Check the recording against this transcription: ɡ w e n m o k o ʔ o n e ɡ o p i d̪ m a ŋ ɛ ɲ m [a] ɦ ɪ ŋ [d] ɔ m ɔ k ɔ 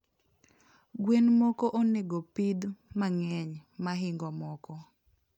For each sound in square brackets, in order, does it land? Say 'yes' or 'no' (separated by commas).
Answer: yes, no